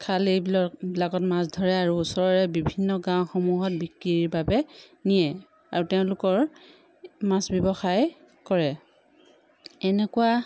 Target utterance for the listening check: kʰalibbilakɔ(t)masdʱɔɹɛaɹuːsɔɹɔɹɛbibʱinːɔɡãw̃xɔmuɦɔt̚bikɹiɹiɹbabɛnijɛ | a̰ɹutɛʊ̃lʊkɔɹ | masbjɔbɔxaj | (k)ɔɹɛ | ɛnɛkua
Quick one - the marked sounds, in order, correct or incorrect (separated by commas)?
correct, correct